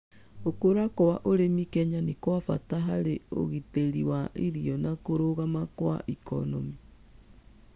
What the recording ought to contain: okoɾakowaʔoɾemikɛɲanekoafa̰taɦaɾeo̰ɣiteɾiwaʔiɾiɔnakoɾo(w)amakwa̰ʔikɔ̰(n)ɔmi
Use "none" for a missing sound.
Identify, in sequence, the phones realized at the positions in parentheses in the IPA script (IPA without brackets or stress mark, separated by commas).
ɣ, n